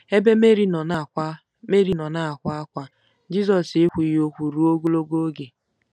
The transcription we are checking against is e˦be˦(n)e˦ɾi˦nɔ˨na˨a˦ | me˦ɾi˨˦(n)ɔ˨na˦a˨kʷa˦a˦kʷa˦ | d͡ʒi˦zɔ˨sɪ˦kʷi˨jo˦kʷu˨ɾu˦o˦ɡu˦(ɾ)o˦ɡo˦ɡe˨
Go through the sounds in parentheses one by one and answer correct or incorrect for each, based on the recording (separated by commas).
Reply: incorrect, correct, incorrect